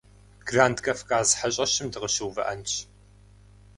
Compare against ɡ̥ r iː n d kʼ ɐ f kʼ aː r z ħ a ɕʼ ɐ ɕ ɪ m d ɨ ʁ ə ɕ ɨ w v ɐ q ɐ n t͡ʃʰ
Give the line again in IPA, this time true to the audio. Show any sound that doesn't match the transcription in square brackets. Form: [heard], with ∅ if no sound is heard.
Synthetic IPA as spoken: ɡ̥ r [aː] n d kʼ ɐ f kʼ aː [∅] z ħ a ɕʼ ɐ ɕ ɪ m d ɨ ʁ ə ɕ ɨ w v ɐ [ʔ] ɐ n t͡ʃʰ